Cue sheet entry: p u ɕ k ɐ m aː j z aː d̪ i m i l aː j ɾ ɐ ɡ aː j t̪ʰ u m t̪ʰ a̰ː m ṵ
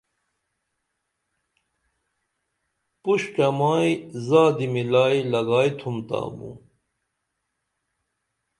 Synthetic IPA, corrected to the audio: p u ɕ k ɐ m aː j z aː d̪ i m i l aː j l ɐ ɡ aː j t̪ʰ u m t̪ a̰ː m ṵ